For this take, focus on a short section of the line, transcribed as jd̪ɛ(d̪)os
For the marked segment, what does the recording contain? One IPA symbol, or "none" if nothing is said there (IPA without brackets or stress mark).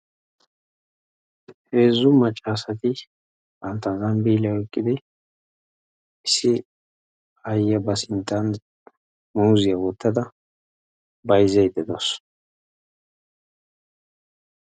d̪